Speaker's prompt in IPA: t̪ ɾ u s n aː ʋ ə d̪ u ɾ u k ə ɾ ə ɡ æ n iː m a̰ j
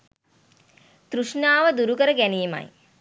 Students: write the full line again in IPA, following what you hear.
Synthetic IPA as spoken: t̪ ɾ u ʂ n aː ʋ ə d̪ u ɾ u k ə ɾ ə ɡ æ n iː m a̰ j